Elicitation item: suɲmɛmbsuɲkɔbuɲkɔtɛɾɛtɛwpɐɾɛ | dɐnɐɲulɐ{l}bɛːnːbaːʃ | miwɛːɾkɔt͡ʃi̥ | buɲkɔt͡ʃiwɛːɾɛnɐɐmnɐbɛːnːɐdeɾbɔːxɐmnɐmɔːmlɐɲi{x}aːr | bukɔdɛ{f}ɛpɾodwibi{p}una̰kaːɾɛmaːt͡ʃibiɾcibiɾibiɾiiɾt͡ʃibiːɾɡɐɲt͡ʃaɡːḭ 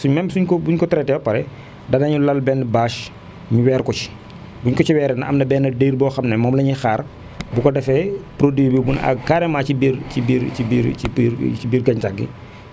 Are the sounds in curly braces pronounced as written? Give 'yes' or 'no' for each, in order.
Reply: yes, yes, yes, no

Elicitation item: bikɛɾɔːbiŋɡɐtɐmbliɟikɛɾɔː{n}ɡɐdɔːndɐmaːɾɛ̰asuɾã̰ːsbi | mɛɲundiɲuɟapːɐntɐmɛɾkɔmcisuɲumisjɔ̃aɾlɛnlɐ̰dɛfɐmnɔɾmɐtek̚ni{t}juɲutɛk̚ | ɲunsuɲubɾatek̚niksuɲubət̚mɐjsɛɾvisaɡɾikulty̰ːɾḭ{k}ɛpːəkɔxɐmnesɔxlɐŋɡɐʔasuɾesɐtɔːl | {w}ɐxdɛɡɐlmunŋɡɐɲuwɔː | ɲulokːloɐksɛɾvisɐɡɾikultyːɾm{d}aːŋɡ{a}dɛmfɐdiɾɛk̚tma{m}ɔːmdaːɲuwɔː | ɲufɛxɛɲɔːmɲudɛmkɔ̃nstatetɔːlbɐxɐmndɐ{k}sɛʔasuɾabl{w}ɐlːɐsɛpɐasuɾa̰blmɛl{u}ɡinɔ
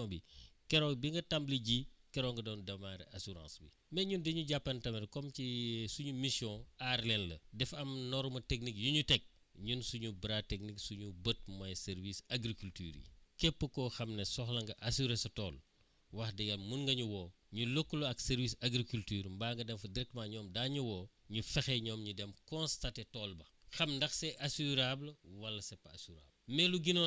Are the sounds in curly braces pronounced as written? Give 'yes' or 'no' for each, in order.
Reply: no, no, yes, yes, no, no, no, no, yes, yes

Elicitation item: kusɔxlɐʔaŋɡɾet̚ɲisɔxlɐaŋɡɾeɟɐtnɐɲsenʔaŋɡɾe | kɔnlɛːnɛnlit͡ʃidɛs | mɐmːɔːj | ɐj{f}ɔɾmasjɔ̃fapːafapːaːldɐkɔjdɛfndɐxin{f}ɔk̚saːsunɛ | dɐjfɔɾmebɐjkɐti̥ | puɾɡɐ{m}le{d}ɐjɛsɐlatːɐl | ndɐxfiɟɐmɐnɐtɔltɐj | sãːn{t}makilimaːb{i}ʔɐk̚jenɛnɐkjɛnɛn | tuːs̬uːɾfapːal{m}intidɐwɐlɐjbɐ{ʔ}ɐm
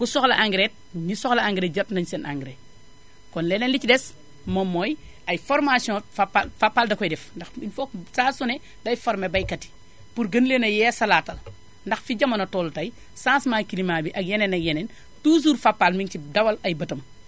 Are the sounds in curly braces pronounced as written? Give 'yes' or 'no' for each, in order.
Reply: yes, yes, no, no, no, yes, yes, no

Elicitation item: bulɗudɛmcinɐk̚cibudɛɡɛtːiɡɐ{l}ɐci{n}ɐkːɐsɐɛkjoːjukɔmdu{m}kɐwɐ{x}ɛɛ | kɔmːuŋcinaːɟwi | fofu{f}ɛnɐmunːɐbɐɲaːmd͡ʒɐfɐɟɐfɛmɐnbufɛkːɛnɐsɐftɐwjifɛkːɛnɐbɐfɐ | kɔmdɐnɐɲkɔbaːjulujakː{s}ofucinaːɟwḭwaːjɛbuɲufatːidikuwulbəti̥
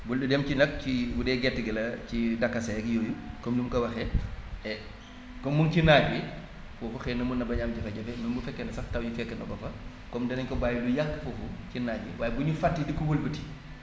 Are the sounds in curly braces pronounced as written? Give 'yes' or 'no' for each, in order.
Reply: yes, no, yes, yes, no, no

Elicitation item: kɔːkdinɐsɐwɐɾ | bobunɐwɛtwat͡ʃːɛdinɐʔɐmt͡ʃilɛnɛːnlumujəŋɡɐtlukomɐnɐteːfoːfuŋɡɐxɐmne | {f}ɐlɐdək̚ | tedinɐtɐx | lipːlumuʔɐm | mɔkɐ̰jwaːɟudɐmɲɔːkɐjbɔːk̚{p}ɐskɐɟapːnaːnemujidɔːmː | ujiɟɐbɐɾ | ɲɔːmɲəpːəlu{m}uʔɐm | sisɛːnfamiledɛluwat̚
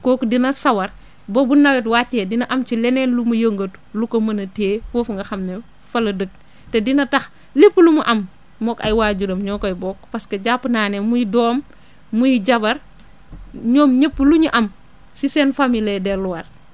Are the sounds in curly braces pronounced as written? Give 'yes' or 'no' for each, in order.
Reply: yes, yes, no

